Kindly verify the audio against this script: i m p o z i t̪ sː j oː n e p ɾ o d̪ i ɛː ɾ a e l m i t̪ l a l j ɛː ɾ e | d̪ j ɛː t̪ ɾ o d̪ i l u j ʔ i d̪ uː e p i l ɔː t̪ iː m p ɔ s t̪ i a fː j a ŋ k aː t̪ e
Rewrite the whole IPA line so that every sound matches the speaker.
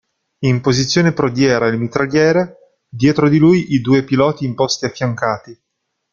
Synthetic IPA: i m p o z i t̪ sː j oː n e p ɾ o d̪ j ɛː ɾ a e l m i t̪ ɾ a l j ɛː ɾ e | d̪ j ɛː t̪ ɾ o d̪ i l u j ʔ i d̪ uː e p i l ɔː t̪ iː m p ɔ s t̪ i a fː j a ŋ k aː t̪ i